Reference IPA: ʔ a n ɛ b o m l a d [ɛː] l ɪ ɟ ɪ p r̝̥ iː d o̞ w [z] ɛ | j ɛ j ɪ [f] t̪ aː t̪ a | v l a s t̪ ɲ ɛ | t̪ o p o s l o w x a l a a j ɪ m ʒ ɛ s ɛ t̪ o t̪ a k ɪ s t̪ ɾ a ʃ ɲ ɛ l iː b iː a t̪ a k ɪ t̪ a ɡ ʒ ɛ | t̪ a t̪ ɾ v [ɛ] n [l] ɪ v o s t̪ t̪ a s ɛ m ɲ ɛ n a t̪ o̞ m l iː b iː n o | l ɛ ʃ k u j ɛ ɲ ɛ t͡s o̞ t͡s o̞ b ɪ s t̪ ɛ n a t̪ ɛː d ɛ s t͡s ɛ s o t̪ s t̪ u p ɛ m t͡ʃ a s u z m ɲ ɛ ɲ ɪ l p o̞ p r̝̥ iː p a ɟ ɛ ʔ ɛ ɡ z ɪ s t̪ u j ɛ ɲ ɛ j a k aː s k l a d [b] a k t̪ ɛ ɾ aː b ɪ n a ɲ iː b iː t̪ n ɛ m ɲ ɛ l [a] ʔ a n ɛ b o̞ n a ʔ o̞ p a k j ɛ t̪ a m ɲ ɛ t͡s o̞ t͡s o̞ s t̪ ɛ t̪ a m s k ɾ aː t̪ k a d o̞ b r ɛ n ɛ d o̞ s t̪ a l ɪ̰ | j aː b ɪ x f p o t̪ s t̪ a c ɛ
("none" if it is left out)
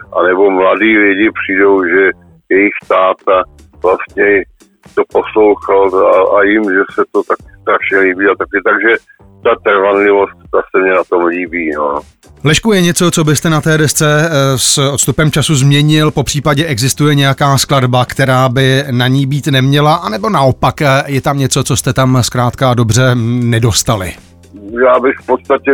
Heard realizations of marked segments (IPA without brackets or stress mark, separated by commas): iː, ʒ, x, a, l, b, a